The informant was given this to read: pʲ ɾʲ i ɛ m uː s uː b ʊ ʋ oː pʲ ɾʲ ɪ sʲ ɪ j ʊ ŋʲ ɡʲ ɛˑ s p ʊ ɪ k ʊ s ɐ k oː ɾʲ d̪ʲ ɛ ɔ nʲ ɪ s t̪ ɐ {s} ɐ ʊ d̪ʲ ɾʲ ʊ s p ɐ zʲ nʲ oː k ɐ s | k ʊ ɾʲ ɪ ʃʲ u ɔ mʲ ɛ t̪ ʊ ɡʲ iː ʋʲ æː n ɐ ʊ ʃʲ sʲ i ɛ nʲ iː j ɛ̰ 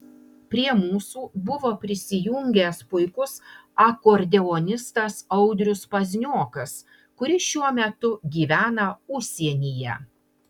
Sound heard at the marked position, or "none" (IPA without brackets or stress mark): s